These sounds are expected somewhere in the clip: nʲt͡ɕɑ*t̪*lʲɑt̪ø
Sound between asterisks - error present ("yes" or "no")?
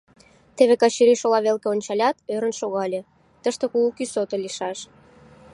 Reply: yes